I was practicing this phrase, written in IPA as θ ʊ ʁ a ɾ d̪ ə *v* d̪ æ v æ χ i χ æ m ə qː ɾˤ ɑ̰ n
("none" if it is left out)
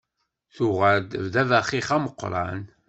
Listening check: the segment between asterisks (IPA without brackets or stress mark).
v